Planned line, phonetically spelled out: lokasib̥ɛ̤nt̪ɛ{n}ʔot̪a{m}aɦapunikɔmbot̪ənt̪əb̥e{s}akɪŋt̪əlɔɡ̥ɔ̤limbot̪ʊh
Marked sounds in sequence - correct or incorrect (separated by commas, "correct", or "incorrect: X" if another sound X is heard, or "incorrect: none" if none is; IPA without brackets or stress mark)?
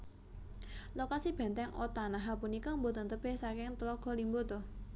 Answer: incorrect: ŋ, incorrect: n, correct